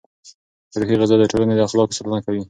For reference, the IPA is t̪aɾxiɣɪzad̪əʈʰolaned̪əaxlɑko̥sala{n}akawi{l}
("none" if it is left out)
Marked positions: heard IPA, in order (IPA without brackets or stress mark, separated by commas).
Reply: n, none